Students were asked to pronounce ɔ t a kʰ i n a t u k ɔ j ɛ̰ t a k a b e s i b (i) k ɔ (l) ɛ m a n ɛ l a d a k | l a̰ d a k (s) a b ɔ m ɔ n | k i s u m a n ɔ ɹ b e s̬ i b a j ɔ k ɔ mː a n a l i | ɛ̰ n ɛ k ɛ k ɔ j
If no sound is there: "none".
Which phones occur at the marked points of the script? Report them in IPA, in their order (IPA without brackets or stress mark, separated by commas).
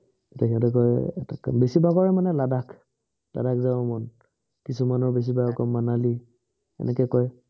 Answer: a, ɹ, z